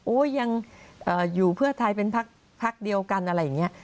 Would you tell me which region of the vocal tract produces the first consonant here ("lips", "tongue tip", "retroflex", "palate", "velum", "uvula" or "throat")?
throat